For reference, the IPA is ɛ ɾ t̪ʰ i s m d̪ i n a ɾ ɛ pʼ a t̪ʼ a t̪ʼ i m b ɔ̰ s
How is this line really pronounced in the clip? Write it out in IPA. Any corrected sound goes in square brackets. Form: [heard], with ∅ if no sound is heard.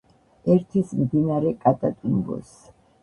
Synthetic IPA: ɛ ɾ t̪ʰ i s m d̪ i n a ɾ ɛ [kʼ] a t̪ʼ a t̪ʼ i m b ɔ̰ s